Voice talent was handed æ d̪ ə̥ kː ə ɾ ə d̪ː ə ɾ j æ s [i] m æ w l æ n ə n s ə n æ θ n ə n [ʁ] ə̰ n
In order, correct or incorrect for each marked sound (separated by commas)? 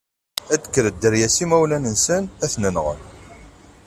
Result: correct, correct